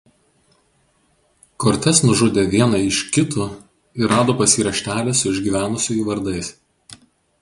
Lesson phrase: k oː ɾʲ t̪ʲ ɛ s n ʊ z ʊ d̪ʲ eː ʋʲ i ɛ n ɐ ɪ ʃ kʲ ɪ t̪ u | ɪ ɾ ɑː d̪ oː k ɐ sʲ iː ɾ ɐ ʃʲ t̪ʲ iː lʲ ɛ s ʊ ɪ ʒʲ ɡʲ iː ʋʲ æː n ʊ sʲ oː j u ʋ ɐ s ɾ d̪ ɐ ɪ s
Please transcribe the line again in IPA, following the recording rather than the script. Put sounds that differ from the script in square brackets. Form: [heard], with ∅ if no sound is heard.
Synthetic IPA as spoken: k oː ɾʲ t̪ʲ ɛ s n ʊ [ʒ] ʊ d̪ʲ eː ʋʲ i ɛ n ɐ ɪ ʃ kʲ ɪ t̪ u | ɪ ɾ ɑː d̪ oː [p] ɐ sʲ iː ɾ ɐ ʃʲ t̪ʲ [æː] lʲ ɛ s ʊ ɪ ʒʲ ɡʲ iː ʋʲ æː n ʊ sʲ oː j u ʋ ɐ [∅] ɾ d̪ ɐ ɪ s